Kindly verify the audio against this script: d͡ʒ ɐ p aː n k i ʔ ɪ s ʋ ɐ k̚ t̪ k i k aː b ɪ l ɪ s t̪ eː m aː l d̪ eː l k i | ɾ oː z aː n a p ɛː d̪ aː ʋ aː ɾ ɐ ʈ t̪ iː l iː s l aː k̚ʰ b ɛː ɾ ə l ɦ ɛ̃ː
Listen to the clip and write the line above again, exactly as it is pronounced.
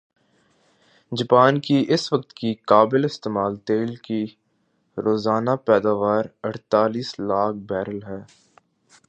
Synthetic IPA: d͡ʒ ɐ p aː n k i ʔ ɪ s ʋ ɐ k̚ t̪ k i k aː b ɪ l ɪ s t̪ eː m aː l t̪ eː l k i | ɾ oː z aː n a p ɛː d̪ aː ʋ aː ɾ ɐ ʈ t̪ aː l iː s l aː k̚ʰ b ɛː ɾ ə l ɦ ɛː